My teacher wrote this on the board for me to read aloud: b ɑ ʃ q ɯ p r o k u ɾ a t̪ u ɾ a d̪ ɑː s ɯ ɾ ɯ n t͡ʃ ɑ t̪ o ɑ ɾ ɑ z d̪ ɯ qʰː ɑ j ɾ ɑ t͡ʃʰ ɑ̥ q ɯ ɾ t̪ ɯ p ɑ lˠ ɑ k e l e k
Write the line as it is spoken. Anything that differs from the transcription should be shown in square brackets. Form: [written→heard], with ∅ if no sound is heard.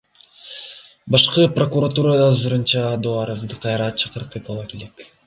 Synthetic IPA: b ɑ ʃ q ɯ p r o k u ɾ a t̪ u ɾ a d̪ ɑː [s→z] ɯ ɾ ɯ n t͡ʃ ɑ [t̪→d̪] o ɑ ɾ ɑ z d̪ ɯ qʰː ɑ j ɾ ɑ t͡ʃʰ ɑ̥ q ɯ ɾ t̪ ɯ p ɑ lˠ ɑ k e l e k